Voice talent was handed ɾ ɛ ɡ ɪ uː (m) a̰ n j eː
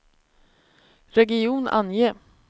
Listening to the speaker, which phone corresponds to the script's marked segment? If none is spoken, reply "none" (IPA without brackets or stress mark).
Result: n